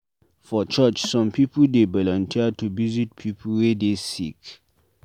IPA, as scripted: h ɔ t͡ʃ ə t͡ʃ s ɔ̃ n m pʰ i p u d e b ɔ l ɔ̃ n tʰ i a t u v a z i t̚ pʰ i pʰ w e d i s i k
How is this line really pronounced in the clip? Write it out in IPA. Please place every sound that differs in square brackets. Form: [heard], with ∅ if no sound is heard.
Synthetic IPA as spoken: [f] ɔ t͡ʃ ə t͡ʃ s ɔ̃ [∅] m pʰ i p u d e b ɔ l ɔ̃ n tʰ i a t u v [i] z i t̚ pʰ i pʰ w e d [e] s i k